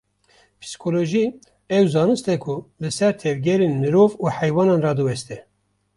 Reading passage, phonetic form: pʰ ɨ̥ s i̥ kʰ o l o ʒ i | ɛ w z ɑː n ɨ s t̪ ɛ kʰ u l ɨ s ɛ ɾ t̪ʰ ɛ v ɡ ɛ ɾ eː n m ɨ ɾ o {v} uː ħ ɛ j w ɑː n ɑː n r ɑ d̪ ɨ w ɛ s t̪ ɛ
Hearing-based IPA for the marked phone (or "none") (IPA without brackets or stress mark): v